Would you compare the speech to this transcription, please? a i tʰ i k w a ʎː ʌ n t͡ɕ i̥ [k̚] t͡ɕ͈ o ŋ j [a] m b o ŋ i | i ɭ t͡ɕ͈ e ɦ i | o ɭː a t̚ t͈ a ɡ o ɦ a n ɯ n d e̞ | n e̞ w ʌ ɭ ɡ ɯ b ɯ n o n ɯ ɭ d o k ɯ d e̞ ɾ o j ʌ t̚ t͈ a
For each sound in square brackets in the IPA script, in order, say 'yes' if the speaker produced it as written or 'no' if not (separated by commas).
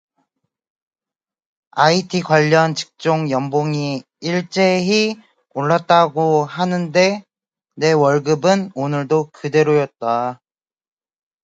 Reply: yes, no